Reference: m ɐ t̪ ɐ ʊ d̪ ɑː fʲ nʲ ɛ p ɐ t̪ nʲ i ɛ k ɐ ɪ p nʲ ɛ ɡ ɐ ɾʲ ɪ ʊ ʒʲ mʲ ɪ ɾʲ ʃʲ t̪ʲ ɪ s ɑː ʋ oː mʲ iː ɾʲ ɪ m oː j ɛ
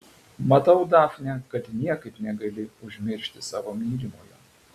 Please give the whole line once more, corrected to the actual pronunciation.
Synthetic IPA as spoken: m ɐ t̪ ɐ ʊ d̪ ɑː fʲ nʲ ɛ k ɐ t̪ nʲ i ɛ k ɐ ɪ p nʲ ɛ ɡ ɐ lʲ ɪ ʊ ʒʲ mʲ ɪ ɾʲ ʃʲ t̪ʲ ɪ s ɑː ʋ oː mʲ iː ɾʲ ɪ m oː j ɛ

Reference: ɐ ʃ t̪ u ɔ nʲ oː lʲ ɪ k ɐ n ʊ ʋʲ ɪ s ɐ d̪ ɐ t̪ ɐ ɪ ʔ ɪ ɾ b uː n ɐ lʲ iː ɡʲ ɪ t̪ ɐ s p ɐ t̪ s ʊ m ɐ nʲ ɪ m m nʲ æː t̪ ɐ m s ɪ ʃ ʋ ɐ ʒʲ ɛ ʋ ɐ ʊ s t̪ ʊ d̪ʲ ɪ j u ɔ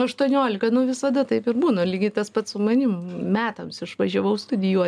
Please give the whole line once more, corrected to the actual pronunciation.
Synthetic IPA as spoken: ɐ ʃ t̪ u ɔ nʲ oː lʲ ɪ k ɐ n ʊ ʋʲ ɪ s ɐ d̪ ɐ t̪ ɐ ɪ p ɪ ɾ b uː n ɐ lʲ iː ɡʲ ɪ t̪ ɐ s p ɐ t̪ s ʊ m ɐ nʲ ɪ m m mʲ æː t̪ ɐ m s ɪ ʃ ʋ ɐ ʒʲ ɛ ʋ ɐ ʊ s t̪ ʊ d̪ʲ ɪ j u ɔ

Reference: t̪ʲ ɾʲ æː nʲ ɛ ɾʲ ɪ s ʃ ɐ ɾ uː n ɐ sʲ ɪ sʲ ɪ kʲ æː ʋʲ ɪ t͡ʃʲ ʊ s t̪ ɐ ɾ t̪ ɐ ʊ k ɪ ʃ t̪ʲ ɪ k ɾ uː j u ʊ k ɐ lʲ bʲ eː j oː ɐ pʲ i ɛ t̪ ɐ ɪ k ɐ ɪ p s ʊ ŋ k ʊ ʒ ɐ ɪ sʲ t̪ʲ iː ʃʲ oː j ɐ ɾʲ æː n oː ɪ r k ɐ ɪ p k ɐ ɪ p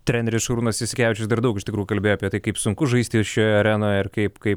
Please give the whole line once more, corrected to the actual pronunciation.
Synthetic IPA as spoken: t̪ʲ ɾʲ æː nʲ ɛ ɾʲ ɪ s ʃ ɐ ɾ uː n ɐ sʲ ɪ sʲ ɪ kʲ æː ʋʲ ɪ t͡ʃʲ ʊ s d̪ ɐ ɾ d̪ ɐ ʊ k ɪ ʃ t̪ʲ ɪ k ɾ uː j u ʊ k ɐ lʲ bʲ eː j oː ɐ pʲ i ɛ t̪ ɐ ɪ k ɐ ɪ p s ʊ ŋ k ʊ ʒ ɐ ɪ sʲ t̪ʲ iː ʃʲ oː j ɐ ɾʲ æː n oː ɪ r k ɐ ɪ p k ɐ ɪ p

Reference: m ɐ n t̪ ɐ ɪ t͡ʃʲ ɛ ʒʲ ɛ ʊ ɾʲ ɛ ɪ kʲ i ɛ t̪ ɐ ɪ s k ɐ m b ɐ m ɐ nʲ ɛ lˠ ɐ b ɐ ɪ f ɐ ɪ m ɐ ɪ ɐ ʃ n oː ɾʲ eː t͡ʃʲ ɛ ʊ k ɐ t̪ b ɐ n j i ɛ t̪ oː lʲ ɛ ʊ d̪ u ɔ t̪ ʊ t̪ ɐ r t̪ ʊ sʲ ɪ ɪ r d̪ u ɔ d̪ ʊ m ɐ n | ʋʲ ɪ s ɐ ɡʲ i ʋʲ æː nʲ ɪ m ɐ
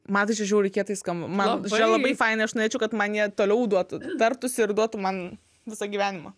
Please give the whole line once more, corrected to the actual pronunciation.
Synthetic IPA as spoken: m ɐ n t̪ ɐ ɪ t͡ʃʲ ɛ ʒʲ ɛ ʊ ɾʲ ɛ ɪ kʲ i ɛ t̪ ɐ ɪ s k ɐ m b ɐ m ɐ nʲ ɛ lˠ ɐ b ɐ ɪ f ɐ ɪ n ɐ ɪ ɐ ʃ n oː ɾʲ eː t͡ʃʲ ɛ ʊ k ɐ t̪ m ɐ n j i ɛ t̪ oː lʲ ɛ ʊ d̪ u ɔ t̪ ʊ t̪ ɐ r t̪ ʊ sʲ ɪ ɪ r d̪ u ɔ t̪ ʊ m ɐ n | ʋʲ ɪ s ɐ ɡʲ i ʋʲ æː nʲ ɪ m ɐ

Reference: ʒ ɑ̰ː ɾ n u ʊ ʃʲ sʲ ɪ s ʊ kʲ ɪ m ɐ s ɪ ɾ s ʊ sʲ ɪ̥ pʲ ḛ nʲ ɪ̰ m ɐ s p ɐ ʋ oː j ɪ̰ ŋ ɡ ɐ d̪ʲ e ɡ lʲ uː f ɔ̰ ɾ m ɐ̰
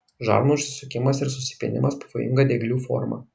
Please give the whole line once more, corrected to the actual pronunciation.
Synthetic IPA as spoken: ʒ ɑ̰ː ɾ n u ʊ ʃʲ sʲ ɪ s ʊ kʲ ɪ m ɐ s ɪ ɾ s ʊ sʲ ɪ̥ pʲ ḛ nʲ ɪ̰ m ɐ s p ɐ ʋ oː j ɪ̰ ŋ ɡ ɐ d̪ʲ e ɡ lʲ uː f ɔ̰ ɾ m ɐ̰

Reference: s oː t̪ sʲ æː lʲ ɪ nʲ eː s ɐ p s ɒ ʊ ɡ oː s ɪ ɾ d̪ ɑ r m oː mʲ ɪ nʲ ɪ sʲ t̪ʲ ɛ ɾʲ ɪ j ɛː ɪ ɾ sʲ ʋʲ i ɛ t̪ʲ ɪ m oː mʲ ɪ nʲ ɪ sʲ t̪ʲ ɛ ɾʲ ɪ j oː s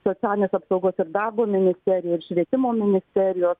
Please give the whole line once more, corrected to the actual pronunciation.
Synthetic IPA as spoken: s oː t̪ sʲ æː lʲ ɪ nʲ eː s ɐ p s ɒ ʊ ɡ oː s ɪ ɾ d̪ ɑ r b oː mʲ ɪ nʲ ɪ sʲ t̪ʲ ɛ ɾʲ ɪ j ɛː ɪ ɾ ʃʲ ʋʲ i ɛ t̪ʲ ɪ m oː mʲ ɪ nʲ ɪ sʲ t̪ʲ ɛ ɾʲ ɪ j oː s

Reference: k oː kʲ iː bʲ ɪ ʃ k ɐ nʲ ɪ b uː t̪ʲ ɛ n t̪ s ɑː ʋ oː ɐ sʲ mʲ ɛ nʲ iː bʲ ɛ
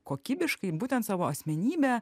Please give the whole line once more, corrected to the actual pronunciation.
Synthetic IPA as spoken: k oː kʲ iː bʲ ɪ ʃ k ɐ ɪ b uː t̪ʲ ɛ n t̪ s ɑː ʋ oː ɐ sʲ mʲ ɛ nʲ iː bʲ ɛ

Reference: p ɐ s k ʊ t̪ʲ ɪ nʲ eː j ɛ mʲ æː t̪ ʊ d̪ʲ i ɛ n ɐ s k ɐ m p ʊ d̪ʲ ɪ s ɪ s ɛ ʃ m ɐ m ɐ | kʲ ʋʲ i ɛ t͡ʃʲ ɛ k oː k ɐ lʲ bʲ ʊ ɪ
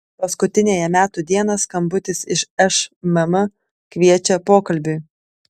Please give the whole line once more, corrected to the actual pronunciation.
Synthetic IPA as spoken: p ɐ s k ʊ t̪ʲ ɪ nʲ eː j ɛ mʲ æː t̪ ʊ d̪ʲ i ɛ n ɐ s k ɐ m b ʊ t̪ʲ ɪ s ɪ ʃ ɛ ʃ m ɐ m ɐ | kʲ ʋʲ i ɛ t͡ʃʲ ɛ p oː k ɐ lʲ bʲ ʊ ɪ

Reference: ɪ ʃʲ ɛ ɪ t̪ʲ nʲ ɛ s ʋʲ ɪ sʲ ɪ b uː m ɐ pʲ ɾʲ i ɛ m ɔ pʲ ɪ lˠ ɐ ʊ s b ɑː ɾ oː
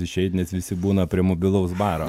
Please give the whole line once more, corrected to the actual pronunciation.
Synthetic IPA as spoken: ɪ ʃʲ ɛ ɪ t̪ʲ nʲ ɛ s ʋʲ ɪ sʲ ɪ b uː n ɐ pʲ ɾʲ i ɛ m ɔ bʲ ɪ lˠ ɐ ʊ s b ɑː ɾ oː

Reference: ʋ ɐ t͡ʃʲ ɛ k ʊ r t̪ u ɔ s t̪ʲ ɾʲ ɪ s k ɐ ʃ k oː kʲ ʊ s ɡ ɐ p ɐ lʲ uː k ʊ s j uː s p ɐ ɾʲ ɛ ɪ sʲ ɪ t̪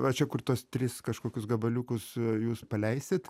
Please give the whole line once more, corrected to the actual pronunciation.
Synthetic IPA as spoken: ʋ ɐ t͡ʃʲ ɛ k ʊ r t̪ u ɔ s t̪ʲ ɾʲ ɪ s k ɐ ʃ k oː kʲ ʊ s ɡ ɐ b ɐ lʲ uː k ʊ s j uː s p ɐ lʲ ɛ ɪ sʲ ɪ t̪

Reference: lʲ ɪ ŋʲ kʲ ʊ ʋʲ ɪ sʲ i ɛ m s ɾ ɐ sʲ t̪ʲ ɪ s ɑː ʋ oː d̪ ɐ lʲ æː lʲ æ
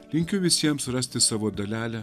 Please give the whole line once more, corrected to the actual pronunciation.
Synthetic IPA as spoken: lʲ ɪ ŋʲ kʲ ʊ ʋʲ ɪ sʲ i ɛ m s ɾ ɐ sʲ t̪ʲ ɪ s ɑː ʋ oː d̪ ɐ lʲ æː lʲ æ

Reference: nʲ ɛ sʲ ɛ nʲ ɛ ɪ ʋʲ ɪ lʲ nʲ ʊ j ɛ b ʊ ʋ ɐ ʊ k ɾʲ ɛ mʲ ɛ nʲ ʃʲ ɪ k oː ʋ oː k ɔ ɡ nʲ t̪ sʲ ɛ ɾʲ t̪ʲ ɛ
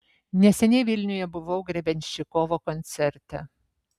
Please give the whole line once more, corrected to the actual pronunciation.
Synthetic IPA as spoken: nʲ ɛ sʲ ɛ nʲ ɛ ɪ ʋʲ ɪ lʲ nʲ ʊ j ɛ b ʊ ʋ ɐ ʊ ɡ ɾʲ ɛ bʲ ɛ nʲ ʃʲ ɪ k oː ʋ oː k ɔ nʲ t̪ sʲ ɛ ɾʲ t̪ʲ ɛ

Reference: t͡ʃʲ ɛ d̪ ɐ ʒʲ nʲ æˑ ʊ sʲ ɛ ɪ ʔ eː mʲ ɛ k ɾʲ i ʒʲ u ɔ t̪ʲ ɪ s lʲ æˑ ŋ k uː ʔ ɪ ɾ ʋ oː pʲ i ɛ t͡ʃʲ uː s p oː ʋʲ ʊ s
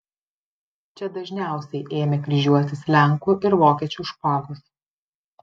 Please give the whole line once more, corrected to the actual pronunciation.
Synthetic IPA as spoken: t͡ʃʲ ɛ d̪ ɐ ʒʲ nʲ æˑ ʊ sʲ ɛ ɪ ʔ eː mʲ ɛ k ɾʲ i ʒʲ u ɔ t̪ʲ ɪ s lʲ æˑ ŋ k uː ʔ ɪ ɾ ʋ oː kʲ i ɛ t͡ʃʲ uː ʃ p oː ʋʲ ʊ s

